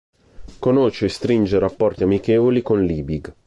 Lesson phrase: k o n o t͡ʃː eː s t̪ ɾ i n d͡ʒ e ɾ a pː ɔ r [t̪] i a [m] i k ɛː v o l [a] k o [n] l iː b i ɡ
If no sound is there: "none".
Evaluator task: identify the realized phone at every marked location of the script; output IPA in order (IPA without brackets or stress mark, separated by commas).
t̪, m, i, n